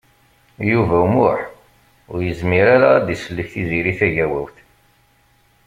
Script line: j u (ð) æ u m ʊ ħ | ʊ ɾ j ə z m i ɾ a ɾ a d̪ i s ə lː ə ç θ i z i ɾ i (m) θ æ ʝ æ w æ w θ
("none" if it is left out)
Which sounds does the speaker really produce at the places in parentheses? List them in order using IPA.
v, none

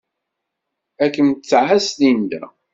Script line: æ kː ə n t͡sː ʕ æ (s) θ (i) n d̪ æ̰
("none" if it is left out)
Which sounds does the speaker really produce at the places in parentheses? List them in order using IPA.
s, i

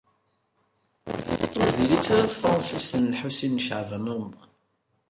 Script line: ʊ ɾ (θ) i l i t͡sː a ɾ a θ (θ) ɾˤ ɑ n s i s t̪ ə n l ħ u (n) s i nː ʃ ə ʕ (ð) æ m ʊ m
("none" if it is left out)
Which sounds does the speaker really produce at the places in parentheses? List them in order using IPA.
ð, f, none, v

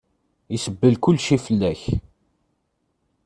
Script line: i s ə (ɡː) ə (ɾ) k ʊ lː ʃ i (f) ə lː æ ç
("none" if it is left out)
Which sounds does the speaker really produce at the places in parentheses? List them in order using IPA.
bː, l, f

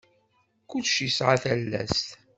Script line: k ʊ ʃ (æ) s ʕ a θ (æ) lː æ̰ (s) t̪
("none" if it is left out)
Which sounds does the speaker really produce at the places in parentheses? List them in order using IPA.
i, æ, s

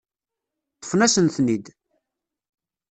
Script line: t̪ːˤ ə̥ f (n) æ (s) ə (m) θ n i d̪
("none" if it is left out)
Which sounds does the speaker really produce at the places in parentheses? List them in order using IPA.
n, s, n

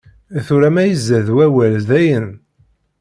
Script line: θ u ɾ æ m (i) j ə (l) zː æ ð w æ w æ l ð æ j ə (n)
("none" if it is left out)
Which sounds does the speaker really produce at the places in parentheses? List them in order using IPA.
æ, none, n

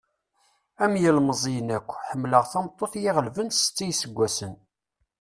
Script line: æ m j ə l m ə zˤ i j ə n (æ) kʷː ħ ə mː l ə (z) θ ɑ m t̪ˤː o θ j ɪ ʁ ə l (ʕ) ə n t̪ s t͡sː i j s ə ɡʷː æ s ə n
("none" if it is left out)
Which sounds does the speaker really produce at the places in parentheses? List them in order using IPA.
æ, ʁ, v

